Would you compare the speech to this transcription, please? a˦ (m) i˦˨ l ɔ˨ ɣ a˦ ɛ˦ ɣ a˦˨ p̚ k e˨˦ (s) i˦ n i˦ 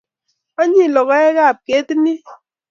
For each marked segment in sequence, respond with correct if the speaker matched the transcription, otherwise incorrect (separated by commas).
incorrect, incorrect